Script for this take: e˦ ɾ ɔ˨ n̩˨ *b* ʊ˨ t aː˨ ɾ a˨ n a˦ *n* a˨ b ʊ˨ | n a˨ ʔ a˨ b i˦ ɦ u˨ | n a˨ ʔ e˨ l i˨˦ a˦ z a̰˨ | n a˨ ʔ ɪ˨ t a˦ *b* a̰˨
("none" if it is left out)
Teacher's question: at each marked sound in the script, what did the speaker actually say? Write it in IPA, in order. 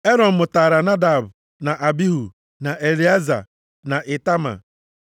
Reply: m, d, m

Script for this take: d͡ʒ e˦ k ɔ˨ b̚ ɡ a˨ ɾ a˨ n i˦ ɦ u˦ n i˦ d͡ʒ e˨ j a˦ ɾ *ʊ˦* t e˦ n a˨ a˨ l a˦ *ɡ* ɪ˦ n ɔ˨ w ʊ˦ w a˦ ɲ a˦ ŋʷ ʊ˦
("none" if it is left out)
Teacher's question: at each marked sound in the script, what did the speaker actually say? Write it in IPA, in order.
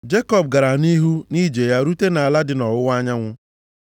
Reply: u˦, d

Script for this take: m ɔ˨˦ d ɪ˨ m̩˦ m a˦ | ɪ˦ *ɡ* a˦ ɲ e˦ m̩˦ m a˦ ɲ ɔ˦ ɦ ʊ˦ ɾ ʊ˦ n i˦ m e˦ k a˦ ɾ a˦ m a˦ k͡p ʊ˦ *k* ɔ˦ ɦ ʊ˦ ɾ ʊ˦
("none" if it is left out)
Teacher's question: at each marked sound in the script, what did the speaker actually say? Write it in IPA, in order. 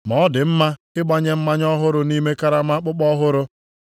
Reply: ɡ͡b, k͡p

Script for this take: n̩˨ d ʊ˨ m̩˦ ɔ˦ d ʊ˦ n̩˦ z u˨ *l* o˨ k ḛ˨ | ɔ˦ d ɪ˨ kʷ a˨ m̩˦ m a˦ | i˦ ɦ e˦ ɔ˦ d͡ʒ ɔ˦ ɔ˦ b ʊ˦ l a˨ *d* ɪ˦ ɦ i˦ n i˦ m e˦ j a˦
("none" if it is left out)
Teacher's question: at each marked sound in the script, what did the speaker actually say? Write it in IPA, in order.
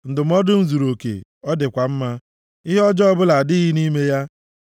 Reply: ɾ, d

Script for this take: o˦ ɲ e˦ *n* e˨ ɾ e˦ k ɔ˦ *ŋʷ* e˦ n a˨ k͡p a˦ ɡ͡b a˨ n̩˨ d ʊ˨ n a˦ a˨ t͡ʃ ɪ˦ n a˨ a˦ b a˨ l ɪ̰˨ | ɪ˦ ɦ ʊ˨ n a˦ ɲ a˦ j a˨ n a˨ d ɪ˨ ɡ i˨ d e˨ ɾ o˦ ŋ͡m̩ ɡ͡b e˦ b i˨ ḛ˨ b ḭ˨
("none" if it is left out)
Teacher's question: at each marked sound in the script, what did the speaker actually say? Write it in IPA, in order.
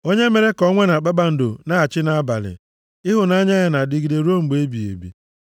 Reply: m, ŋʷ

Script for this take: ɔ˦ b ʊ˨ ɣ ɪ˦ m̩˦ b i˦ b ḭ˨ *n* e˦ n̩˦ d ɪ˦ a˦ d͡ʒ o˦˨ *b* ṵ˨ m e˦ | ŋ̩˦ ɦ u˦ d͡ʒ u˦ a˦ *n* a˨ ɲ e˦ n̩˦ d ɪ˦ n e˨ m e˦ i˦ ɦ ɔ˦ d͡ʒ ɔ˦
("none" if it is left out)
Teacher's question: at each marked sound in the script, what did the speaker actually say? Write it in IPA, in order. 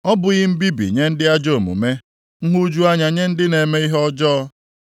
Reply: ɲ, m, ɲ

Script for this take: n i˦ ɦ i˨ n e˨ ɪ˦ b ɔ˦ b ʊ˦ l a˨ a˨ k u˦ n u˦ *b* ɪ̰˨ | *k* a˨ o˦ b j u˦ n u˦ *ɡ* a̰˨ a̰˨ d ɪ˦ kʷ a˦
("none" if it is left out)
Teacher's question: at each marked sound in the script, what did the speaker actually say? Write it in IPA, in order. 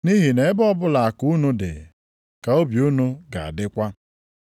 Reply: d, k, ɡ

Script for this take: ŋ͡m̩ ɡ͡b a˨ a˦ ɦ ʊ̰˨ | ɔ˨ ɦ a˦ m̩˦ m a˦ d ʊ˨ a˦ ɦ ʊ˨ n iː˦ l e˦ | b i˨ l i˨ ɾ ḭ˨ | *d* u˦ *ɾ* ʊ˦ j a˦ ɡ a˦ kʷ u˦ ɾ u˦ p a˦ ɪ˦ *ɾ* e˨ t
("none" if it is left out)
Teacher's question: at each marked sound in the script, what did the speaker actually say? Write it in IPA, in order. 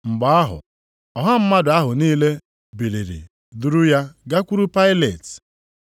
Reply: d, ɾ, l

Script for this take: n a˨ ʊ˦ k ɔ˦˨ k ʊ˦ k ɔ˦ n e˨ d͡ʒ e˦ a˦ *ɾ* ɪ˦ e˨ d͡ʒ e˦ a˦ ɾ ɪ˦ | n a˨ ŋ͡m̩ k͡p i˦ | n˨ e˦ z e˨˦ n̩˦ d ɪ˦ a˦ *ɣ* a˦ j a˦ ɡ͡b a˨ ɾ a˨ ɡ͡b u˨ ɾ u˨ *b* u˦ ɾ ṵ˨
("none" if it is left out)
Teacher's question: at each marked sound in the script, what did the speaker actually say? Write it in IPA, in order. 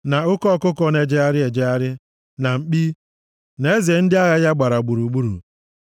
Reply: ɾ, ɣ, ɡ͡b

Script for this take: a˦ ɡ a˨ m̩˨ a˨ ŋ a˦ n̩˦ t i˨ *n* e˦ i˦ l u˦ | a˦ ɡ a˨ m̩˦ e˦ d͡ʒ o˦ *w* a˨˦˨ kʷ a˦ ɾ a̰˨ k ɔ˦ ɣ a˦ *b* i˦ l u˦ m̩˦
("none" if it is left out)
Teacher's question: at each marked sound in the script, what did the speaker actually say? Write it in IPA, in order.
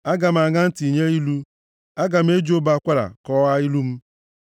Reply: ɲ, b, none

